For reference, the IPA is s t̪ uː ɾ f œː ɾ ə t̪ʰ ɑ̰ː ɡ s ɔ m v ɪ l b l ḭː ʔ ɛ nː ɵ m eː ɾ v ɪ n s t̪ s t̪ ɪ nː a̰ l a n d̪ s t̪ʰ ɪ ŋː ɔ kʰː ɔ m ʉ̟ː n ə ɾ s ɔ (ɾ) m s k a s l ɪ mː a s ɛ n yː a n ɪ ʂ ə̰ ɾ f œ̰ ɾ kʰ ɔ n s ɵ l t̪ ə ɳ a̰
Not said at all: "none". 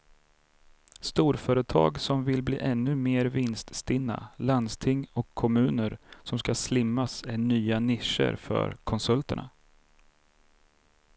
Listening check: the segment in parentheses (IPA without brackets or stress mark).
none